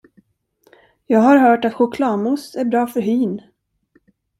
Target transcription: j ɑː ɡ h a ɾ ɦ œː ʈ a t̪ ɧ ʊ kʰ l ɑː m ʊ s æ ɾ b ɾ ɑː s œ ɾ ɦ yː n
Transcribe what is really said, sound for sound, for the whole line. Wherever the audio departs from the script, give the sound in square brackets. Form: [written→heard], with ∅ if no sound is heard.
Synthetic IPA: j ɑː ɡ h a ɾ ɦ œː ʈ a t̪ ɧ ʊ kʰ l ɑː m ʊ s æ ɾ b ɾ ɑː [s→f] œ ɾ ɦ yː n